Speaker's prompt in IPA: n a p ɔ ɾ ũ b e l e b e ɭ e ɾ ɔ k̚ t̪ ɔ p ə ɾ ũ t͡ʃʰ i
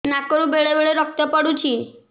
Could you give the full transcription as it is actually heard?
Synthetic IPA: n a k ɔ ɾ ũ b e ɭ e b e ɭ e ɾ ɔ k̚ t̪ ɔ p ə ɽ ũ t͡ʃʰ i